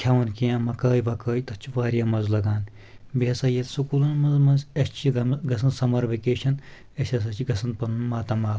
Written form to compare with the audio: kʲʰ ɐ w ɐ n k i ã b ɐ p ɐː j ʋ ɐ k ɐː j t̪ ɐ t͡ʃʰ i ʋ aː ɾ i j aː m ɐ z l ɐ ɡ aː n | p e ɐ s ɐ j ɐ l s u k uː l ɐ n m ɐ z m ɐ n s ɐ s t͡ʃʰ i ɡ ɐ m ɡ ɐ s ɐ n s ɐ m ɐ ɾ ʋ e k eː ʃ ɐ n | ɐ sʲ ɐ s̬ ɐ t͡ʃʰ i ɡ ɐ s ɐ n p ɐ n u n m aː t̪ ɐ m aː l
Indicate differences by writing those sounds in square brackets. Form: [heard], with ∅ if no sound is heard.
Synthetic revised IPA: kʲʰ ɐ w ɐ n k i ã [m] ɐ [k] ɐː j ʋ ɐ k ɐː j t̪ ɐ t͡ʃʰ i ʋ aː ɾ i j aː m ɐ z l ɐ ɡ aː n | [b] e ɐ s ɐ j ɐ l s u k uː l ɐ n m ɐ z m ɐ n [z] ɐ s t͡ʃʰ i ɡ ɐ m ɡ ɐ s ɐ n s ɐ m ɐ ɾ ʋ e k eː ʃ ɐ n | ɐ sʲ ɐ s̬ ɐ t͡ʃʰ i ɡ ɐ s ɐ n p ɐ n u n m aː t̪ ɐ m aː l